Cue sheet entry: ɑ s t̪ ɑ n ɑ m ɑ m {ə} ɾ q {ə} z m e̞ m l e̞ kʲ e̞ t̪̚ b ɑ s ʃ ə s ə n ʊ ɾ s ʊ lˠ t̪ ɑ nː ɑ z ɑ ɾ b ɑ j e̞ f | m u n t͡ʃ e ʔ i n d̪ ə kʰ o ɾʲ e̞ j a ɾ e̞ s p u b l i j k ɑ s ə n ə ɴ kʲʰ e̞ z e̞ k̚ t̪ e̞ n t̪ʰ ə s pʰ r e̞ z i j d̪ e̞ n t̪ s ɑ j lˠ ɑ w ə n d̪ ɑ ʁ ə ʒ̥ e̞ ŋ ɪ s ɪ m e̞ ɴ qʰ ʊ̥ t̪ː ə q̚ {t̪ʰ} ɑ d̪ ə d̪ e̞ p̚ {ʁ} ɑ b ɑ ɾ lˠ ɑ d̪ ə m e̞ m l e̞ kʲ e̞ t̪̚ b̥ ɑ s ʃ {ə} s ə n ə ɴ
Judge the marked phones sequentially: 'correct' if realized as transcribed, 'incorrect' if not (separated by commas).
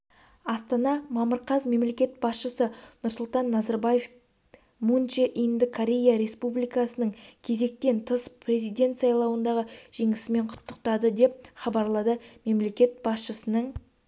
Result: correct, incorrect, incorrect, incorrect, correct